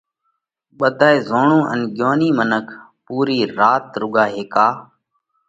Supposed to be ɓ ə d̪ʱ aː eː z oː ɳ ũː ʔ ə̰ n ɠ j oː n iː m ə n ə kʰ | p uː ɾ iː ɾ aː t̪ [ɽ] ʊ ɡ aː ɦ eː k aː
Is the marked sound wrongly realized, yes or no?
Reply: yes